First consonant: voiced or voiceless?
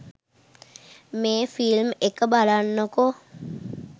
voiced